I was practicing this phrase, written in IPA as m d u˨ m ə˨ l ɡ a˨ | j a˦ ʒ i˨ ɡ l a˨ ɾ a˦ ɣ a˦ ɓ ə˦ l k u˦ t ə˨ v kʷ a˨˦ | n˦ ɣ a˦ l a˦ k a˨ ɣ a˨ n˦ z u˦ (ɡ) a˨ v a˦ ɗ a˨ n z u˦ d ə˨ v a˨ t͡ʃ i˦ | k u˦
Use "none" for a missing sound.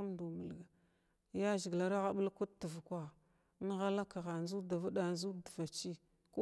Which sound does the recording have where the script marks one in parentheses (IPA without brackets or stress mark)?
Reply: d